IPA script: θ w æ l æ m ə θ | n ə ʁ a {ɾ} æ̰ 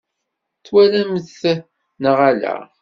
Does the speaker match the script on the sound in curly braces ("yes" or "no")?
no